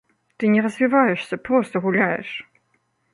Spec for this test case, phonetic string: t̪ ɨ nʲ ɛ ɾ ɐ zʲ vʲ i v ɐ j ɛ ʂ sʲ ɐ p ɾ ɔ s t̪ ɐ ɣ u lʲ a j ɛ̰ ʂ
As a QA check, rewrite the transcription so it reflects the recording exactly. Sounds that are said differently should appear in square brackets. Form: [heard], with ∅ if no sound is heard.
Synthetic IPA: t̪ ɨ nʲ ɛ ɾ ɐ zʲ vʲ i v [a] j ɛ ʂ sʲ ɐ p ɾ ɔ s t̪ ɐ ɣ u lʲ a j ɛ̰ ʂ